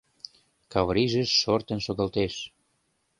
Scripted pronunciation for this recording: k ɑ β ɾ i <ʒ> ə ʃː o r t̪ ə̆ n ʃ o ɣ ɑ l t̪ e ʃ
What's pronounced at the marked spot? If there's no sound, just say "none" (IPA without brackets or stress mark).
ʒ